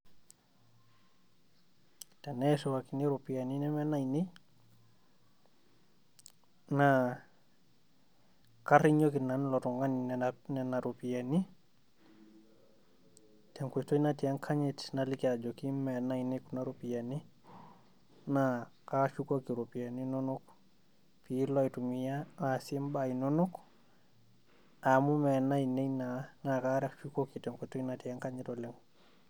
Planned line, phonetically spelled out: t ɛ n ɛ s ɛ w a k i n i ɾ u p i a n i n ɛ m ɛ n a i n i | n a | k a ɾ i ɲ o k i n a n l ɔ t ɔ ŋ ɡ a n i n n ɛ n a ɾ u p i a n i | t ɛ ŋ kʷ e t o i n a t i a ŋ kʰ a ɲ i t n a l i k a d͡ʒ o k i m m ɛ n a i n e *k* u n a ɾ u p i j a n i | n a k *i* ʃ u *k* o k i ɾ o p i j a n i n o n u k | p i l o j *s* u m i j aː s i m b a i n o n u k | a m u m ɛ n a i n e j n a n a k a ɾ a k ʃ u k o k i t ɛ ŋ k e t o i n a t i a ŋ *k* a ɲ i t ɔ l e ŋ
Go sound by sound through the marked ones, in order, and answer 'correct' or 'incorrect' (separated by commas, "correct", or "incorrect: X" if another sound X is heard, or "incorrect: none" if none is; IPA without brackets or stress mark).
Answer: correct, incorrect: a, correct, incorrect: t, correct